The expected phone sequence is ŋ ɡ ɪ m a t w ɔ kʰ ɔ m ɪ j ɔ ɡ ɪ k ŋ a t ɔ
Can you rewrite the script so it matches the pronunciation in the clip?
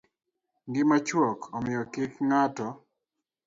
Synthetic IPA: ŋ ɡ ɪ m a t͡ʃ w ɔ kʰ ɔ m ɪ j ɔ k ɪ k ŋ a t ɔ